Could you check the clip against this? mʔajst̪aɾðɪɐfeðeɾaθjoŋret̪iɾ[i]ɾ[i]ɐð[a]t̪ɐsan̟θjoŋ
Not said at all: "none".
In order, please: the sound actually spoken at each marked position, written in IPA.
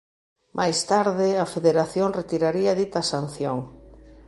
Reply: a, i, i

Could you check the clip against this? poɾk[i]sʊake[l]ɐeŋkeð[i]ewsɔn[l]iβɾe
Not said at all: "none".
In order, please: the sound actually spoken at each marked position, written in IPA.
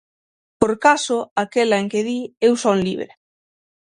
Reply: a, l, i, l

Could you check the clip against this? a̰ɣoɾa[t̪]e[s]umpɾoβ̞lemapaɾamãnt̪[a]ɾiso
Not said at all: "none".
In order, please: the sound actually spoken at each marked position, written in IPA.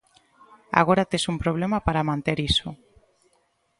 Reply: t̪, s, e

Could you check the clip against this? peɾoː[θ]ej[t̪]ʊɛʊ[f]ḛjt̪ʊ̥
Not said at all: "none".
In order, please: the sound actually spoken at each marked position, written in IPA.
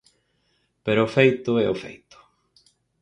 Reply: f, t̪, f

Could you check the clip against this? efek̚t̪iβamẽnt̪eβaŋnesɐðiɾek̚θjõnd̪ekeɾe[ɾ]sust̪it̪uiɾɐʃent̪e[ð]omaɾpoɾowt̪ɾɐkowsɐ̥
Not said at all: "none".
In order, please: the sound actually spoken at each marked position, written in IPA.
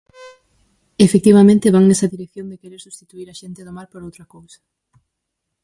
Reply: ɾ, ð

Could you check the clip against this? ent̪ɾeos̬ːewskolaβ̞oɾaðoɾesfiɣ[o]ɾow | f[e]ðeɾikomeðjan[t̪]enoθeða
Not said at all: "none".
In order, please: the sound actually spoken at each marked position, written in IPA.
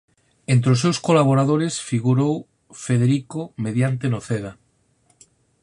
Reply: u, e, t̪

